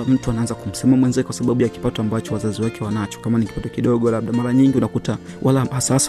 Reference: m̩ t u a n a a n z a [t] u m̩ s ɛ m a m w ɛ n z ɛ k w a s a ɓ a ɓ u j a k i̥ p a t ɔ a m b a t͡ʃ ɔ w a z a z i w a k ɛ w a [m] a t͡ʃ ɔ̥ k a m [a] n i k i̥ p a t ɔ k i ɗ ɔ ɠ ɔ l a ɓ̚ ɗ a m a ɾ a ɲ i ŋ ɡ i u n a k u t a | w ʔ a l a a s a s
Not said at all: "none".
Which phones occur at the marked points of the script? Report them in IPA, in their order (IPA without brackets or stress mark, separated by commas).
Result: k, n, a